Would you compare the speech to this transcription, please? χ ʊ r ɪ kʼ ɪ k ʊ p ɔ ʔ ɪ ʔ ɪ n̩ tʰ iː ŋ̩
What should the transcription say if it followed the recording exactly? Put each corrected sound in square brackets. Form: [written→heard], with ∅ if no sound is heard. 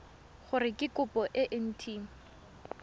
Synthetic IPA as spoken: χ ʊ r ɪ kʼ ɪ k ʊ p ɔ ʔ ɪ ʔ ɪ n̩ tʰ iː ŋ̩